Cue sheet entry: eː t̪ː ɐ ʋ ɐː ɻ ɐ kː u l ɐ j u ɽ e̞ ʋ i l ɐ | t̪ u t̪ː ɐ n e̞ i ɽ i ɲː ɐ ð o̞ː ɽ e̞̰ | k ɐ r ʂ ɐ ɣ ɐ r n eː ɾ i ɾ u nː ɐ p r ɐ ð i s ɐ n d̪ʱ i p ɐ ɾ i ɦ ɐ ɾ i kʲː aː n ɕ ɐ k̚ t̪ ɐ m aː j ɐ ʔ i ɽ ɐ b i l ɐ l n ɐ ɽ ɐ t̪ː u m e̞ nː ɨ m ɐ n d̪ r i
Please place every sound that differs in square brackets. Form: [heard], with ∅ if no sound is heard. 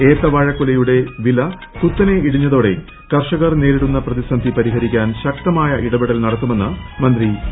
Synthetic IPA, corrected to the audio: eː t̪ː ɐ ʋ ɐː ɻ ɐ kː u l ɐ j u ɽ e̞ ʋ i l ɐ | t̪ u t̪ː ɐ n e̞ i ɽ i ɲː ɐ ð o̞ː ɽ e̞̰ | k ɐ r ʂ ɐ ɣ ɐ r n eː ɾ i [ɽ] u nː ɐ p r ɐ ð i s ɐ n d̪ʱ i p ɐ ɾ i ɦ ɐ ɾ i kʲː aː n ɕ ɐ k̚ t̪ ɐ m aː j ɐ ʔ i ɽ ɐ b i [ɽ] ɐ l n ɐ ɽ ɐ t̪ː u m e̞ nː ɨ m ɐ n d̪ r i

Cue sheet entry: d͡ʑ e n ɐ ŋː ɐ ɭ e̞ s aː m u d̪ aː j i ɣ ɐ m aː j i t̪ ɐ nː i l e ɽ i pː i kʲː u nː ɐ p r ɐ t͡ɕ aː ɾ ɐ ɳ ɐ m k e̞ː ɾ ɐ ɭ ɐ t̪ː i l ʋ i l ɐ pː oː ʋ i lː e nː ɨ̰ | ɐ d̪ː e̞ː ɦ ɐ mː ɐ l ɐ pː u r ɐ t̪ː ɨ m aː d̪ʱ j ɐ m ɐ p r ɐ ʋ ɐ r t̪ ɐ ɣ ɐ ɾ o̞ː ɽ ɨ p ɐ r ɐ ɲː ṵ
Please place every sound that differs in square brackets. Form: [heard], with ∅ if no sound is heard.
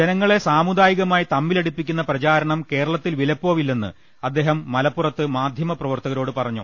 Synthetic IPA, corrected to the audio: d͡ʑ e n ɐ ŋː ɐ ɭ e̞ s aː m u d̪ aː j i ɣ ɐ m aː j i t̪ ɐ [mː] i l e ɽ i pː i kʲː u nː ɐ p r ɐ t͡ɕ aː ɾ ɐ ɳ ɐ m k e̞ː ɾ ɐ ɭ ɐ t̪ː i l ʋ i l ɐ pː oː ʋ i lː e nː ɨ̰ | ɐ d̪ː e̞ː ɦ ɐ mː ɐ l ɐ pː u r ɐ t̪ː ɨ m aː d̪ʱ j ɐ m ɐ p r ɐ ʋ ɐ r t̪ ɐ ɣ ɐ ɾ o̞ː ɽ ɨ p ɐ r ɐ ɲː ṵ

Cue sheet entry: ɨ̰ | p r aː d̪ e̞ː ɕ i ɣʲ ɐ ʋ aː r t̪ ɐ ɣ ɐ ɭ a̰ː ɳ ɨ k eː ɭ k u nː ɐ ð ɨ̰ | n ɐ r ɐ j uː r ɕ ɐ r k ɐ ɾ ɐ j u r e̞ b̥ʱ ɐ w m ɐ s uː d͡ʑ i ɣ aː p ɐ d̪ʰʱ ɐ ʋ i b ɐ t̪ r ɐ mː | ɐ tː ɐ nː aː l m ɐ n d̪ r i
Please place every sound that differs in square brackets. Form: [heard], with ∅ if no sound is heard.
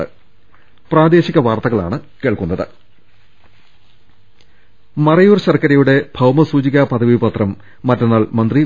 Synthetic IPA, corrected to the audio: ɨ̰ | p r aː d̪ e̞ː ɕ i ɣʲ ɐ ʋ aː r t̪ ɐ ɣ ɐ ɭ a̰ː ɳ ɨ k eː ɭ k u nː ɐ ð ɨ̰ | [m] ɐ r ɐ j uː r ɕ ɐ r k ɐ ɾ ɐ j u [ɽ] e̞ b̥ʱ ɐ w m ɐ s uː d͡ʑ i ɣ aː p ɐ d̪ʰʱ ɐ ʋ i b ɐ t̪ r ɐ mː | ɐ tː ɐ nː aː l m ɐ n d̪ r i

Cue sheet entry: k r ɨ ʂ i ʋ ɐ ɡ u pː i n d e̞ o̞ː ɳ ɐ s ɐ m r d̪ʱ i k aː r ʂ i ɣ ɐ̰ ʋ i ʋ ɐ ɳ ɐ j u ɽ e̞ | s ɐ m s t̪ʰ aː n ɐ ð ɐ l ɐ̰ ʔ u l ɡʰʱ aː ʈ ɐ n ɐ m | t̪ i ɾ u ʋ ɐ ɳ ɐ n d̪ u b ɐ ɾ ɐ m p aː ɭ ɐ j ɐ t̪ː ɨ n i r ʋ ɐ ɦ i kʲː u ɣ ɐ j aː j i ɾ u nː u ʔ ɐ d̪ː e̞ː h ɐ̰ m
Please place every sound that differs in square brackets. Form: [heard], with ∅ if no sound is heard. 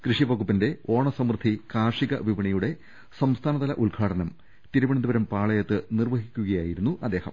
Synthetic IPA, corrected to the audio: k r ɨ ʂ i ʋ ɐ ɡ u pː i n d e̞ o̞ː ɳ ɐ s ɐ m r d̪ʱ i k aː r ʂ i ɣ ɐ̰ ʋ i ʋ ɐ ɳ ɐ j u ɽ e̞ | s ɐ m s t̪ʰ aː n ɐ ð ɐ l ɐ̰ ʔ u l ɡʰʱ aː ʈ ɐ n ɐ m | t̪ i ɾ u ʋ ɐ ɳ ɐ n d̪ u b ɐ ɾ ɐ m p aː ɭ ɐ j ɐ t̪ː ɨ n i r ʋ ɐ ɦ i kʲː u ɣ ɐ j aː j i ɾ u nː u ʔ ɐ d̪ː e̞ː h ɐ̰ m

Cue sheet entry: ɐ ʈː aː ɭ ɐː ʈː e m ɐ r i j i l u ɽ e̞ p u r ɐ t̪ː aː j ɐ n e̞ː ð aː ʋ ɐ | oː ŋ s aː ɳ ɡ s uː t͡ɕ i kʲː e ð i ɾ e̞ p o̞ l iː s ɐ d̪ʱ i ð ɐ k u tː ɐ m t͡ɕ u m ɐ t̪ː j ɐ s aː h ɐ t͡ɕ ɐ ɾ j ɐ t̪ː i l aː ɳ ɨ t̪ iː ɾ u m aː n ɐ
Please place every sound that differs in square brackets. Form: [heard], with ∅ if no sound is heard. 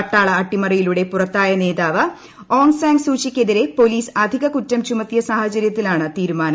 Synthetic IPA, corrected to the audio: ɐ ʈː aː ɭ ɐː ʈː [i] m ɐ r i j i l u ɽ e̞ p u r ɐ t̪ː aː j ɐ n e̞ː ð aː ʋ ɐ | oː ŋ s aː [ŋ] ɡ s uː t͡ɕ i kʲː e ð i ɾ e̞ p o̞ l iː s ɐ d̪ʱ i [ɣ] ɐ k u tː ɐ m t͡ɕ u m ɐ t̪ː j ɐ s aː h ɐ t͡ɕ ɐ ɾ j ɐ t̪ː i l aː ɳ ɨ t̪ iː ɾ u m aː n ɐ

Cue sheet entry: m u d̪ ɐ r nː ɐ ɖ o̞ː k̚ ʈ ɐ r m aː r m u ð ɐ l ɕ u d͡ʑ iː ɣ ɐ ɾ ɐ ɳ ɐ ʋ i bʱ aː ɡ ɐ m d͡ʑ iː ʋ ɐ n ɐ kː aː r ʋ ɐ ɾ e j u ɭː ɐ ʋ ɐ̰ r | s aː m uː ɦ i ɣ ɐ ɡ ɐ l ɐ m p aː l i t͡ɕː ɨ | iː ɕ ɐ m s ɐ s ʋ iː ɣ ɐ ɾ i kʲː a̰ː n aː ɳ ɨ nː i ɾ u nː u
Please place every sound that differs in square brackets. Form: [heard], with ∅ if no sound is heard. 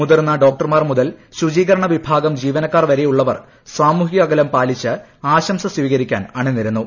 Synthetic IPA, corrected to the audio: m u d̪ ɐ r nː ɐ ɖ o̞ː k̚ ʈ ɐ r m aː r m u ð ɐ l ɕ u d͡ʑ iː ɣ ɐ ɾ ɐ ɳ ɐ ʋ i bʱ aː ɡ ɐ m d͡ʑ iː ʋ ɐ n ɐ kː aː r ʋ ɐ ɾ e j u ɭː ɐ ʋ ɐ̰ r | s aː m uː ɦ i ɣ ɐ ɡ ɐ l ɐ m p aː l i t͡ɕː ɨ | [aː] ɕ ɐ m s ɐ s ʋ iː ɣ ɐ ɾ i kʲː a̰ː n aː ɳ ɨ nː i ɾ u nː u

